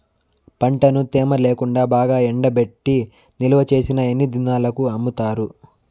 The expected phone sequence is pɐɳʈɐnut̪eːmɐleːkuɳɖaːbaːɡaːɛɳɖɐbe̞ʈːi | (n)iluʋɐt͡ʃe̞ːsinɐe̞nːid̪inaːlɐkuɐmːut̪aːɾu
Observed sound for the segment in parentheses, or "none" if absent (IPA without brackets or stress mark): n